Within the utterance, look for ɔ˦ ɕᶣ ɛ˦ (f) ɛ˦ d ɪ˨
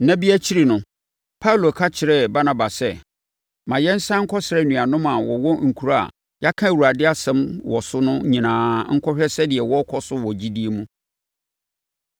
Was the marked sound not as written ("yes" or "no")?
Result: yes